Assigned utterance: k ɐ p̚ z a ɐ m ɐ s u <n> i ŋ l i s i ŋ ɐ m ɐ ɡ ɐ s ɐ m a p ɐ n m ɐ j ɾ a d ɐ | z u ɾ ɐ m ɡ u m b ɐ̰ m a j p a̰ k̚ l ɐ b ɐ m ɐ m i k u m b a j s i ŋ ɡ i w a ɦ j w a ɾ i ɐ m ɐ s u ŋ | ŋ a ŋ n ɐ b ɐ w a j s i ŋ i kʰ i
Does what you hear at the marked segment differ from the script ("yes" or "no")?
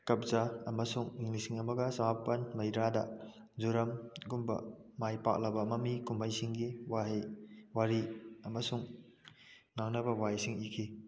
yes